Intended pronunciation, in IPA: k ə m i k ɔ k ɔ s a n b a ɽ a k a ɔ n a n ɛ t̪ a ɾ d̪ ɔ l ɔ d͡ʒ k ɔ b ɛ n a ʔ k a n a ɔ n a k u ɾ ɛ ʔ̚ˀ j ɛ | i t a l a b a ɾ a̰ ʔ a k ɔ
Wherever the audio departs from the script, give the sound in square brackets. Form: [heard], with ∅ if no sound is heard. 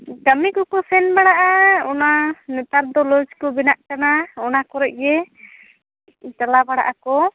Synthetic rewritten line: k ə m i k ɔ k ɔ s [ɛ] n b a ɽ a [ʔ] a ɔ n a n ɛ t̪ a ɾ d̪ ɔ l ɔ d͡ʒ k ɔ b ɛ n a ʔ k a n a ɔ n a k [ɔ] ɾ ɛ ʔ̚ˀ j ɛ | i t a l a b a [ɽ] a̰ ʔ a k ɔ